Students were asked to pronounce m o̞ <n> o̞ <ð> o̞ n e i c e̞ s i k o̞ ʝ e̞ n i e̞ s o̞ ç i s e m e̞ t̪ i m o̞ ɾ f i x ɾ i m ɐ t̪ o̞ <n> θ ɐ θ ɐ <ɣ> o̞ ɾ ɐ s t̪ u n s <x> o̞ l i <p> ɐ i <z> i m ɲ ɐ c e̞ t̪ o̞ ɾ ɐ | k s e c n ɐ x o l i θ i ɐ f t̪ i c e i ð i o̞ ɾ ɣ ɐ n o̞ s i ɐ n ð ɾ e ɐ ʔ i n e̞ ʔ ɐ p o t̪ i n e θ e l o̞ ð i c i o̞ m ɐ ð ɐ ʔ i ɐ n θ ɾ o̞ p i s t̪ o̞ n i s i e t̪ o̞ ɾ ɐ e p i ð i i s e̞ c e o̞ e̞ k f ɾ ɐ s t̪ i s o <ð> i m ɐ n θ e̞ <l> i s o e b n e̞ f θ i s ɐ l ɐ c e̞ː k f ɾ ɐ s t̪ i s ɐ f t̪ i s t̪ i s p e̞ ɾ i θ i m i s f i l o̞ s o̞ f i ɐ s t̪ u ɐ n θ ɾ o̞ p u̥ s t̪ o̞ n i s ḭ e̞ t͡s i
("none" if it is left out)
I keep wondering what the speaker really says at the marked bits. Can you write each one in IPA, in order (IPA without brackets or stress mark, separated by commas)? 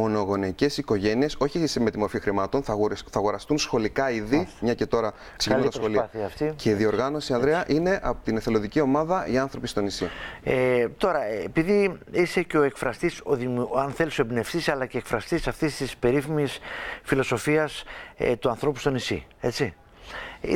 n, ɣ, n, ɣ, x, k, ð, ð, l